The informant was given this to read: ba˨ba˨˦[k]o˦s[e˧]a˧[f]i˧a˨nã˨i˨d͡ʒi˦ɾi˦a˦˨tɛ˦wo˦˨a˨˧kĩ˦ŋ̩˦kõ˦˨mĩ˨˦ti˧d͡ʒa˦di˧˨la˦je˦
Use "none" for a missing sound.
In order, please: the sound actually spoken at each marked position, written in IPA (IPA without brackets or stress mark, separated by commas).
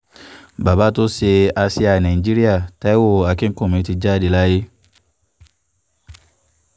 t, e˧, s